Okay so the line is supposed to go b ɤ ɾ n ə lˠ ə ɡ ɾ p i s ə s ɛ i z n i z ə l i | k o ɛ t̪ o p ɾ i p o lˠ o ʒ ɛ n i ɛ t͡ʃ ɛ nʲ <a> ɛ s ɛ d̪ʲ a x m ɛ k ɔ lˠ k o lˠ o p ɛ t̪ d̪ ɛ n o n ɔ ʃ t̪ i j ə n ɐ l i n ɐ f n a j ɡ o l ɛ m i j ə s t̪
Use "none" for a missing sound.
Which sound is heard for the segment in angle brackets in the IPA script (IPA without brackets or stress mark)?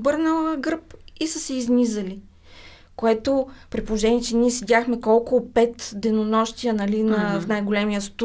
i